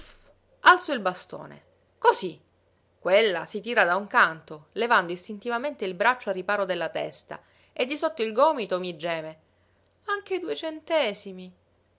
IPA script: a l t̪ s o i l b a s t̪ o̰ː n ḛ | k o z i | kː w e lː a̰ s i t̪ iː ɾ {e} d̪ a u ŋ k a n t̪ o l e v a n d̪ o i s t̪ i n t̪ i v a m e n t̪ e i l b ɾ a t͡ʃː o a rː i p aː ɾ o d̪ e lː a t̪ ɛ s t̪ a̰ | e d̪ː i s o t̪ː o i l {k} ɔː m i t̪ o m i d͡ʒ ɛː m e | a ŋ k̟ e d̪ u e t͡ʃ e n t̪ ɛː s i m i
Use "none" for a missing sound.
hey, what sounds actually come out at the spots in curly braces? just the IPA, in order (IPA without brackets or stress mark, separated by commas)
a, ɡ